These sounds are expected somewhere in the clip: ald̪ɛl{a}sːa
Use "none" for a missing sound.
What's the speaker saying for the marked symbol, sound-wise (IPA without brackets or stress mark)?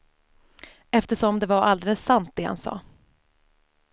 ə